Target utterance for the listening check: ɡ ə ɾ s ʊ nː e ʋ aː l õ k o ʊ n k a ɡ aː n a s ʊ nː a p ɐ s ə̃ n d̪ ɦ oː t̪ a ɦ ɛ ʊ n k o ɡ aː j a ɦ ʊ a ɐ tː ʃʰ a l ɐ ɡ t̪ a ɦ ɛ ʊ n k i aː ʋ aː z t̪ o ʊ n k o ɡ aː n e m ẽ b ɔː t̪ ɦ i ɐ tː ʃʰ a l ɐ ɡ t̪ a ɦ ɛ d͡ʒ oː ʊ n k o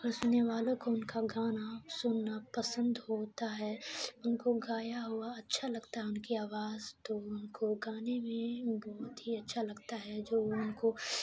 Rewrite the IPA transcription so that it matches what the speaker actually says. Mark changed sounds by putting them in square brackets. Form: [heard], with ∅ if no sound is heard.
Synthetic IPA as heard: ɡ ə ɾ s ʊ nː e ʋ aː l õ k o ʊ n k a ɡ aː n a s ʊ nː a p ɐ s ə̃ n d̪ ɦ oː t̪ a ɦ ɛ ʊ n k o ɡ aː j a ɦ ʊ a ɐ tː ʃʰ a l ɐ ɡ t̪ a ɦ ɛ ʊ n k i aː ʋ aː z t̪ o ʊ n k o ɡ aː n e m ẽ b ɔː t̪ ɦ i ɐ tː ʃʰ a l ɐ ɡ t̪ a ɦ ɛ d͡ʒ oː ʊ n k o